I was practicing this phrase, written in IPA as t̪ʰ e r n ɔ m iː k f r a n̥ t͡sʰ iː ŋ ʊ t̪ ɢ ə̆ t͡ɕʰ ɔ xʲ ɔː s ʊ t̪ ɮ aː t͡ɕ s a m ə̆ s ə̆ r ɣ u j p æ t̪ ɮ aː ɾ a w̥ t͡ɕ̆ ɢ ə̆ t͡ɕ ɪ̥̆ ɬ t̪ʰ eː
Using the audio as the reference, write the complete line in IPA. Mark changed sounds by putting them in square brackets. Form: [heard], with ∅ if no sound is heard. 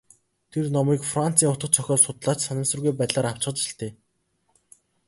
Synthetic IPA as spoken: t̪ʰ e r n ɔ m iː k f r a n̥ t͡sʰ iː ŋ ʊ t̪ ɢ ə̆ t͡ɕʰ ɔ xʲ ɔː s ʊ t̪ ɮ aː t͡ɕ s a [n] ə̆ s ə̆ r ɣ u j p æ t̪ ɮ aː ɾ a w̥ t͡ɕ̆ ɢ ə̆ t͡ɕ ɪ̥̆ ɬ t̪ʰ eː